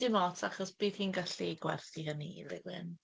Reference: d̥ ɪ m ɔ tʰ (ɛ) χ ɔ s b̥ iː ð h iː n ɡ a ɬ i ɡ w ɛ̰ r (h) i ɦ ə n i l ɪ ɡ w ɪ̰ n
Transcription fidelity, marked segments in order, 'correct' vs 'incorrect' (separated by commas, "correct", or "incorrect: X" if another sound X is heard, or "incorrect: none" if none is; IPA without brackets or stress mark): incorrect: a, incorrect: θ